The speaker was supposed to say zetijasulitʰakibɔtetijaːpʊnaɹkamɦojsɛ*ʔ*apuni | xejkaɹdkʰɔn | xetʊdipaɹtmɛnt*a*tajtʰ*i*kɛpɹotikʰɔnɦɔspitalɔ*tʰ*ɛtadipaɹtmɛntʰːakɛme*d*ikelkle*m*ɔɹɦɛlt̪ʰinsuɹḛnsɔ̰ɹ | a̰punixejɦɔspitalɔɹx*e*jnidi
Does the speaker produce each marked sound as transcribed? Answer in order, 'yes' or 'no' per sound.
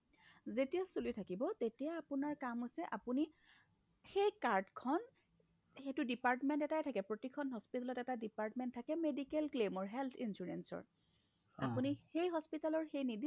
yes, no, no, no, yes, yes, yes

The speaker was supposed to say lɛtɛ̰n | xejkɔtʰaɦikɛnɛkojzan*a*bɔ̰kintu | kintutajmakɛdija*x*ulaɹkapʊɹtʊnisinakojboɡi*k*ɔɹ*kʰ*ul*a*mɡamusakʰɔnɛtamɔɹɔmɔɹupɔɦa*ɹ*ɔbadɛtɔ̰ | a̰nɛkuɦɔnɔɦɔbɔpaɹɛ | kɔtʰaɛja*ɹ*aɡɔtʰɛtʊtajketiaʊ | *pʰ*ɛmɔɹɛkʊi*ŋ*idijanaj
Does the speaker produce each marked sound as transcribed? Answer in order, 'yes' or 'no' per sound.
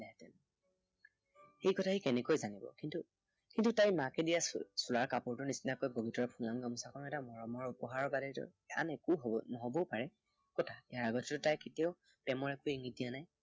no, no, no, no, yes, yes, yes, no, yes

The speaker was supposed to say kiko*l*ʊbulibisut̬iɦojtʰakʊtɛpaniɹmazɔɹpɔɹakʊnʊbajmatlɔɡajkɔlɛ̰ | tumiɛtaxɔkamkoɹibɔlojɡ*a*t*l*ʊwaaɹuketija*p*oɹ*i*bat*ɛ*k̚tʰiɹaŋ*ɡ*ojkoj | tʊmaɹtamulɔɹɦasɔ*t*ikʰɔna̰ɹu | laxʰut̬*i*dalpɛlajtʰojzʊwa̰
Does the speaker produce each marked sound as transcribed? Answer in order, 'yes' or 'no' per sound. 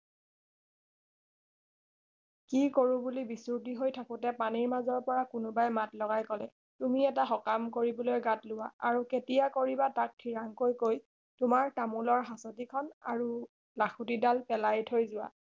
no, yes, yes, no, yes, no, no, yes, yes

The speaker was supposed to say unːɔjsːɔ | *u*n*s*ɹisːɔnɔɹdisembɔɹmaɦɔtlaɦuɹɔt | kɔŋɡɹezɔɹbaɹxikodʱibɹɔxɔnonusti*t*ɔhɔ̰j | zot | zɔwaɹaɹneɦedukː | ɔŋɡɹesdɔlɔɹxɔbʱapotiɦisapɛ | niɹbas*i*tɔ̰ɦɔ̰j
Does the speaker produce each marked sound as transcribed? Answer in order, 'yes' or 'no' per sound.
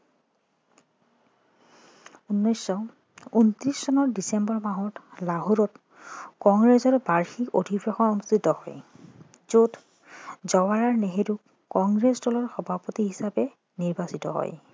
yes, no, yes, yes

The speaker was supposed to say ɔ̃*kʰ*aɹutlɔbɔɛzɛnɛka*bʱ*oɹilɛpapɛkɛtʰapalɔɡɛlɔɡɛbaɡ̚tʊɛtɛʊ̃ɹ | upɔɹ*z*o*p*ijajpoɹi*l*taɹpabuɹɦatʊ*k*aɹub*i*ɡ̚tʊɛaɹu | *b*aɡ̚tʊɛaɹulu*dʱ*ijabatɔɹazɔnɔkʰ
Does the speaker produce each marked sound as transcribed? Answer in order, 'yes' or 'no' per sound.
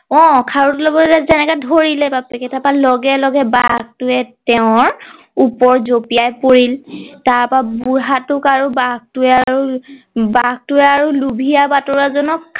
yes, no, yes, yes, yes, yes, no, yes, no

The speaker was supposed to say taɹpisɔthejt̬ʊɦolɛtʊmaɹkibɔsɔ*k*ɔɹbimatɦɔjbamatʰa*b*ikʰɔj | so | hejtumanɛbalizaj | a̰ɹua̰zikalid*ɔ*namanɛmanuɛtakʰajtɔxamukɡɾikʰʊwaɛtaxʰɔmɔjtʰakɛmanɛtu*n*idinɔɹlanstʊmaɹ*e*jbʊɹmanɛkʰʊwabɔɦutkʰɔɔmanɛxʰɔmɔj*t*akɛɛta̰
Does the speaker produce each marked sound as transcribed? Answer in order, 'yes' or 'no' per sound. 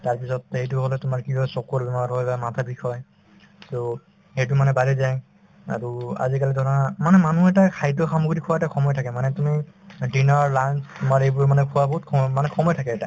yes, yes, yes, no, yes, no

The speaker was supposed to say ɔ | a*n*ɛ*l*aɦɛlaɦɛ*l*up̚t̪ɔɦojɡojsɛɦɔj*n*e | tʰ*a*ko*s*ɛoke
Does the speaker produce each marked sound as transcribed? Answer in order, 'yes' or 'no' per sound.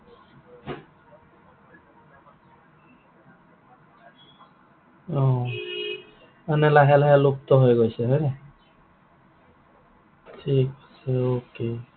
yes, yes, yes, yes, no, yes

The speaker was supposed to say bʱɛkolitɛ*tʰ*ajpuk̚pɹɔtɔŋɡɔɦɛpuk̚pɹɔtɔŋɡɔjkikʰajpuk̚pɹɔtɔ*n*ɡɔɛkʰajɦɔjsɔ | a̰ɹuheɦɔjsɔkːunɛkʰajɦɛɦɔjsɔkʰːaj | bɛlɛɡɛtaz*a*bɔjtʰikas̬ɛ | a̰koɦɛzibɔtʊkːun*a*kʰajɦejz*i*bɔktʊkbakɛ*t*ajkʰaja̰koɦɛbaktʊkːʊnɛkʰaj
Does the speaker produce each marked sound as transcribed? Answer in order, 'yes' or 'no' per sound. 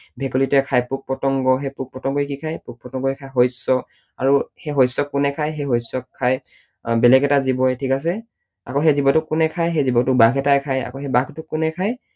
no, no, no, no, yes, yes

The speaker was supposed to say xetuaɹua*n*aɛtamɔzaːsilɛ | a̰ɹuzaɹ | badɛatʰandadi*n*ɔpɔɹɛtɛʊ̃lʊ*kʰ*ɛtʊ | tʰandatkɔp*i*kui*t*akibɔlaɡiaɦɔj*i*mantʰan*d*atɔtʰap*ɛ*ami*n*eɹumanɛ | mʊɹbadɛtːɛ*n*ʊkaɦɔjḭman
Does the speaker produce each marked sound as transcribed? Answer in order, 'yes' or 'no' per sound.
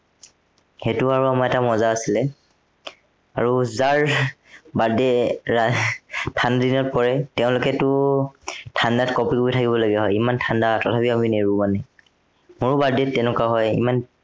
no, yes, no, yes, no, yes, yes, no, yes, yes

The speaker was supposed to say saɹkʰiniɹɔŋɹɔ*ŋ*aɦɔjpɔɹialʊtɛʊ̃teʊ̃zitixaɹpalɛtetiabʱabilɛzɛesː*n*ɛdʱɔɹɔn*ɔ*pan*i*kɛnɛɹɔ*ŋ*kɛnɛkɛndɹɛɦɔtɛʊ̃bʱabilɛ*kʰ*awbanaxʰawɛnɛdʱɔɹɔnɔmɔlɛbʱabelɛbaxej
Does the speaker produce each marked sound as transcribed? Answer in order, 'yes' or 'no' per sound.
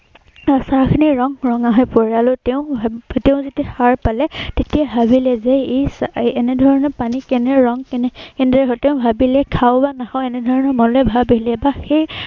yes, yes, yes, yes, yes, yes

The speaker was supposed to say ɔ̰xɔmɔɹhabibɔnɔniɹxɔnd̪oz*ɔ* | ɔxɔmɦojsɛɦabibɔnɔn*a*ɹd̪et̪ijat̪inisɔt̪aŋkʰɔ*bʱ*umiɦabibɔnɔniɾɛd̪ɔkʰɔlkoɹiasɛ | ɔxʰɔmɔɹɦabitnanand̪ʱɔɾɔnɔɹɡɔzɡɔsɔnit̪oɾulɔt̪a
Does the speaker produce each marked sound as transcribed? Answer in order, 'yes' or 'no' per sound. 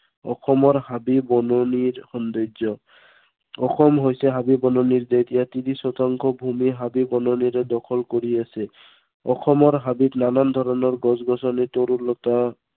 yes, no, yes

